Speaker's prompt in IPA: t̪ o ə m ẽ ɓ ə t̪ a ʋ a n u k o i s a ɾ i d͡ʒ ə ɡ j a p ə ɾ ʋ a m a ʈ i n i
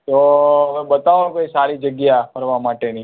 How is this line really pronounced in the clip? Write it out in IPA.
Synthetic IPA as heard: t̪ o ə m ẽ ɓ ə t̪ a ʋ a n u k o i s a ɾ i d͡ʒ ə ɡ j a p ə ɾ ʋ a m a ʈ e n i